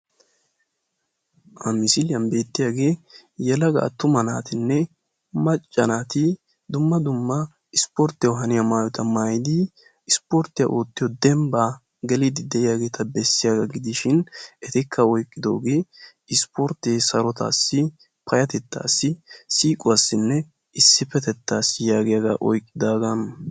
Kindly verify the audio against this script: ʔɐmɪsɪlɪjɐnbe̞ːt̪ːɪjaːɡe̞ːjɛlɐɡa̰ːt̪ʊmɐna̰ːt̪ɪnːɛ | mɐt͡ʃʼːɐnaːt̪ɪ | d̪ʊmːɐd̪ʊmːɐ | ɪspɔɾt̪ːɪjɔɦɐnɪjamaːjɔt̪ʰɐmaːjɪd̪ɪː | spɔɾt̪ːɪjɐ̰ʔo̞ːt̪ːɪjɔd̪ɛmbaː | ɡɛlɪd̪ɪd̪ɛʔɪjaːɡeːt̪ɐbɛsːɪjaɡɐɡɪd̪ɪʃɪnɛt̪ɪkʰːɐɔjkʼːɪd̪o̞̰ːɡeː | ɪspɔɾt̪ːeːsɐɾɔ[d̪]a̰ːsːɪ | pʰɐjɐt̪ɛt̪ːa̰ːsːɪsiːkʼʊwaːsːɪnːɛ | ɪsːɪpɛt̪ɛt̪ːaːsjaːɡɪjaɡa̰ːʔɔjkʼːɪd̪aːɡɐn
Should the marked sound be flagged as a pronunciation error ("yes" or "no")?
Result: yes